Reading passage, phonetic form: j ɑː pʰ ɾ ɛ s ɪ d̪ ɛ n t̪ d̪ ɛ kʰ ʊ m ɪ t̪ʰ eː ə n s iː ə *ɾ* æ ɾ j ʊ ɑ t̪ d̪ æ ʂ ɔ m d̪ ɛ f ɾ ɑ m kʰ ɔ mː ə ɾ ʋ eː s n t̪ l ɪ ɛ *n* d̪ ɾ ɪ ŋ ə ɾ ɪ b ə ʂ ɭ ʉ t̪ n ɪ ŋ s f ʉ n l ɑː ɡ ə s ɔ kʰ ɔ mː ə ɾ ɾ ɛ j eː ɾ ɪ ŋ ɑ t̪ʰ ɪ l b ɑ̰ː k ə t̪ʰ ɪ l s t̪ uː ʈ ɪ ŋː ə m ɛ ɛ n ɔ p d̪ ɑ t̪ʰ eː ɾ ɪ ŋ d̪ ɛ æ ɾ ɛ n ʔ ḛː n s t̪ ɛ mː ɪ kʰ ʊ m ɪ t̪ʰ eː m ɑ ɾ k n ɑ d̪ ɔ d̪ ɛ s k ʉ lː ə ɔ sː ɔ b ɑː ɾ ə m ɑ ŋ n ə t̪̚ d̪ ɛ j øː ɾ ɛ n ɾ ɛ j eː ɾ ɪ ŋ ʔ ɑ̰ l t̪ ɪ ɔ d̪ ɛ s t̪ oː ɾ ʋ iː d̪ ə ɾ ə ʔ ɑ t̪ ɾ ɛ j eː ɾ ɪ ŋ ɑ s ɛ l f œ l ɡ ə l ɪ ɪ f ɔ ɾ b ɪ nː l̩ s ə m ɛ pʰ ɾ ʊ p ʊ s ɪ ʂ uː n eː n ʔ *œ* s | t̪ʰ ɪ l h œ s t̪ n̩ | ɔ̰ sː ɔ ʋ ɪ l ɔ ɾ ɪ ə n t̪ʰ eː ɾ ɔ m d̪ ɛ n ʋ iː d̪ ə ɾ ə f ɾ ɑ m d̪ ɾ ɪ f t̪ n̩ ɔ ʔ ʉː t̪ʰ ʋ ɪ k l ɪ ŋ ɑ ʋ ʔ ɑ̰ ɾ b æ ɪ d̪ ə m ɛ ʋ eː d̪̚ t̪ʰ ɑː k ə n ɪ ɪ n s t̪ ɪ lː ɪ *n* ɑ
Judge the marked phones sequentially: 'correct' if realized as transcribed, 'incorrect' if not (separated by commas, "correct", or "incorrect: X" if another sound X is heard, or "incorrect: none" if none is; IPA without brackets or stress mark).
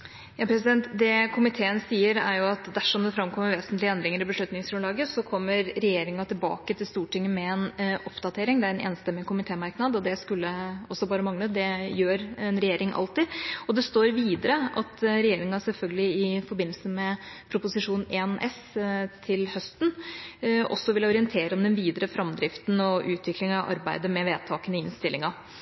correct, correct, incorrect: ɛ, incorrect: ŋ